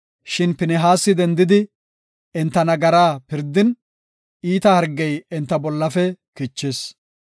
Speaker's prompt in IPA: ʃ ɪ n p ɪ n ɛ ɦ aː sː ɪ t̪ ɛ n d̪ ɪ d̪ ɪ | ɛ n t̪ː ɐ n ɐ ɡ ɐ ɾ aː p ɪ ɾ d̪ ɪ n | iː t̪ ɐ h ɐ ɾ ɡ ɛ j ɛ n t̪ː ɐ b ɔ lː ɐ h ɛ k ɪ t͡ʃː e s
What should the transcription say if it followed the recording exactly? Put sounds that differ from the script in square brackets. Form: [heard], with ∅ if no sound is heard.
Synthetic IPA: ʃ ɪ n p ɪ n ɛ ɦ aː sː ɪ [d̪] ɛ n d̪ ɪ d̪ ɪ | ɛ n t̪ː ɐ n ɐ ɡ ɐ ɾ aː p ɪ ɾ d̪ ɪ n | iː t̪ ɐ h ɐ ɾ ɡ ɛ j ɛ n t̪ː ɐ b ɔ lː ɐ [f] ɛ k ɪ t͡ʃː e s

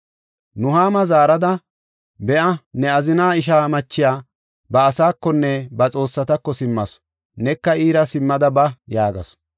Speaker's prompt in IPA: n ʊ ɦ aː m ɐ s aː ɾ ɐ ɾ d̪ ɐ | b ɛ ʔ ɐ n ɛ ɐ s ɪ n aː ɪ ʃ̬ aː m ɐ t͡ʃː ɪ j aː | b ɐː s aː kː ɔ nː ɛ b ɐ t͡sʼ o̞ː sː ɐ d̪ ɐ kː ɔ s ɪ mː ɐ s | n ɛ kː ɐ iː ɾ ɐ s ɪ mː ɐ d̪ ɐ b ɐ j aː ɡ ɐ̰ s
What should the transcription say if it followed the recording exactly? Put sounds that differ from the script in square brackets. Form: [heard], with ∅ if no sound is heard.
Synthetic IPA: n ʊ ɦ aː m ɐ [z] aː ɾ ɐ [∅] d̪ ɐ | b ɛ ʔ ɐ n ɛ ɐ [z] ɪ n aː ɪ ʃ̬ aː m ɐ t͡ʃː ɪ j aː | b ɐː s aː kː ɔ nː ɛ b ɐ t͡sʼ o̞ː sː ɐ [t̪] ɐ kː ɔ s ɪ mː ɐ s | n ɛ kː ɐ iː ɾ ɐ s ɪ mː ɐ d̪ ɐ b ɐ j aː ɡ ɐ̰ s

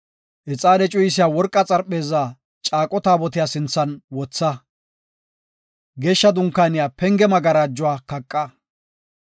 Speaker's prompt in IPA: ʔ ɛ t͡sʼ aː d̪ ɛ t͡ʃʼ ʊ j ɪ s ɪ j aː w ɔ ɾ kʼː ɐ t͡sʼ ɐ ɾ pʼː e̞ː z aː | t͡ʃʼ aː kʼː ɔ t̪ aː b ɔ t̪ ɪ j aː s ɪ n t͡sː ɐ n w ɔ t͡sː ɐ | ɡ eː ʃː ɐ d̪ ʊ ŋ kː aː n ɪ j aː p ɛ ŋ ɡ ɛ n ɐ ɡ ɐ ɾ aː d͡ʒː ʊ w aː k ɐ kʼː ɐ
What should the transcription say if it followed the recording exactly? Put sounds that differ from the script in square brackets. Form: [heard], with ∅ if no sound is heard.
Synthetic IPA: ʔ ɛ t͡sʼ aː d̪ ɛ t͡ʃʼ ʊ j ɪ s ɪ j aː w ɔ ɾ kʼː ɐ t͡sʼ ɐ ɾ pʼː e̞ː z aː | t͡ʃʼ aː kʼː ɔ t̪ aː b ɔ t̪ ɪ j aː s ɪ n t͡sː ɐ n w ɔ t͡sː ɐ | ɡ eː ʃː ɐ d̪ ʊ ŋ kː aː n ɪ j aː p ɛ ŋ ɡ ɛ [m] ɐ ɡ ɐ ɾ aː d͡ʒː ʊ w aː k ɐ kʼː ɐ

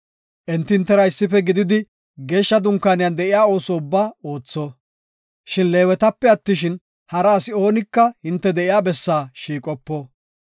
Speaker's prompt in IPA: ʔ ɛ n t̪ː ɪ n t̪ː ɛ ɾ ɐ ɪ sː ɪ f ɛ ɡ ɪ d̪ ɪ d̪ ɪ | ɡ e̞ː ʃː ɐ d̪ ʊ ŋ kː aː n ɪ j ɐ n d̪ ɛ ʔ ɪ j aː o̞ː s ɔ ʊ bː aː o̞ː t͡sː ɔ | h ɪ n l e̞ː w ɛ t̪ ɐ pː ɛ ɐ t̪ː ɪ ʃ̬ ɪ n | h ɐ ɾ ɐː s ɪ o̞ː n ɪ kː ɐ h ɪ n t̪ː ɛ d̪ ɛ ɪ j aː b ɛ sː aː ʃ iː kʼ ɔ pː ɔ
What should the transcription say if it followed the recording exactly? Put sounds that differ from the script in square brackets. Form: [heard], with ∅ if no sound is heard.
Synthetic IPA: ʔ ɛ n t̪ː ɪ n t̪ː ɛ ɾ ɐ ɪ sː ɪ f ɛ ɡ ɪ d̪ ɪ d̪ ɪ | ɡ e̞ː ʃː ɐ d̪ ʊ ŋ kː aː n ɪ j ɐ n d̪ ɛ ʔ ɪ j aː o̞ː s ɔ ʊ bː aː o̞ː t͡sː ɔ | [ʃ] ɪ n l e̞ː w ɛ t̪ ɐ pː ɛ ɐ t̪ː ɪ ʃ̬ ɪ n | h ɐ ɾ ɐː s ɪ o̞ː n ɪ kː ɐ h ɪ n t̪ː ɛ d̪ ɛ ɪ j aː b ɛ sː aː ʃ iː kʼ ɔ pː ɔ

